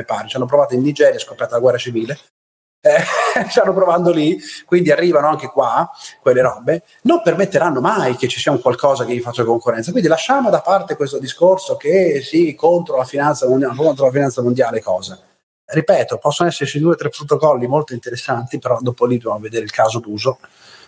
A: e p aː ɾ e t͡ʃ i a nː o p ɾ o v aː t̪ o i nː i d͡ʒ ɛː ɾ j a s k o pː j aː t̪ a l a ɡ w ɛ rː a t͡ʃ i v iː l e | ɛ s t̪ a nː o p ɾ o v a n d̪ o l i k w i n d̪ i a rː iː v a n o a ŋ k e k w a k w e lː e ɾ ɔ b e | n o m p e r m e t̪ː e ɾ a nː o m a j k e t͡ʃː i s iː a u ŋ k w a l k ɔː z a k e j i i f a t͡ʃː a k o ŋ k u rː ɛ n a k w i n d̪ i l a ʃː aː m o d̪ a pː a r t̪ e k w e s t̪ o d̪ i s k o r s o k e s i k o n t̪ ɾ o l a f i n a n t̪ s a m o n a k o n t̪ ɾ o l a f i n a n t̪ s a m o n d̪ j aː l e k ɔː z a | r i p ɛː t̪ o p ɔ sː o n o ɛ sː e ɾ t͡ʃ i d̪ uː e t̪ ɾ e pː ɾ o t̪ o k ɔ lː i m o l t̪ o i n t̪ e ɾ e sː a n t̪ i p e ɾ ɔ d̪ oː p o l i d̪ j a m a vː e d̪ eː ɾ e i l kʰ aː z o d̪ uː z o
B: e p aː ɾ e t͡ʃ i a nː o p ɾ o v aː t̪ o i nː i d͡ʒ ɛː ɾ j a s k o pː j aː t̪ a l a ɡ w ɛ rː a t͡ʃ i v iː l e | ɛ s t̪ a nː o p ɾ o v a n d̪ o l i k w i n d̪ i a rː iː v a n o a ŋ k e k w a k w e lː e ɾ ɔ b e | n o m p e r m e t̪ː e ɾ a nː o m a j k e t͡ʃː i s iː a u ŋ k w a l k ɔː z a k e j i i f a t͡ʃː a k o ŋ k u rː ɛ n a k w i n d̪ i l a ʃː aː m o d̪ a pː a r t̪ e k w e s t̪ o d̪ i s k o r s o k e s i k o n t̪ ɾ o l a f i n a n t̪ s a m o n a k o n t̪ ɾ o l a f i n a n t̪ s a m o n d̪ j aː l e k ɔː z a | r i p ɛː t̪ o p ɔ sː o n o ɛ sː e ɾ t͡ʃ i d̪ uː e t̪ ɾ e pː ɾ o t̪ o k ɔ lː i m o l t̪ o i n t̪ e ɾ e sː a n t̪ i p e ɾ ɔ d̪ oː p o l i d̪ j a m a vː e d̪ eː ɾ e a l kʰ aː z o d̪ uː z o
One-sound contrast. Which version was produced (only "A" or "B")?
A